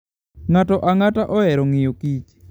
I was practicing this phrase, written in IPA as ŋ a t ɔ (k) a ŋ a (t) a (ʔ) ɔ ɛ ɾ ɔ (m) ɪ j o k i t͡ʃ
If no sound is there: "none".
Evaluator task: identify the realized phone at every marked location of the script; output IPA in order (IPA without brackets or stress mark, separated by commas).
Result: ʔ, t, ʔ, ŋ